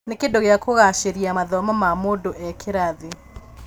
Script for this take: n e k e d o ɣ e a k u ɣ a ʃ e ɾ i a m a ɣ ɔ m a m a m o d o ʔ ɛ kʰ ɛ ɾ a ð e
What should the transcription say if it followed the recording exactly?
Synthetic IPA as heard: n e k e d o ɣ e a k o ɣ a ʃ e ɾ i a m a ð ɔ m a m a m o d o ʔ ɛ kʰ e ɾ a ð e